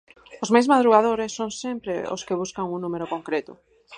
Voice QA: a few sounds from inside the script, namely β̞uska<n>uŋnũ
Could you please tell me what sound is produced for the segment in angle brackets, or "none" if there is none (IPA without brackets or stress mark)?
ŋ